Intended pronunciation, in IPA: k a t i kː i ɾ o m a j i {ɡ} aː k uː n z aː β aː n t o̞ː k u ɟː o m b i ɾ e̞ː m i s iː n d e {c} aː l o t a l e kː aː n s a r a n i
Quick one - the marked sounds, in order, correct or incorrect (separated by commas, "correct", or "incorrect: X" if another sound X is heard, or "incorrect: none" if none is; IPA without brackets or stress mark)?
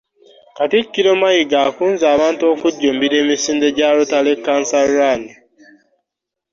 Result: correct, incorrect: ɟ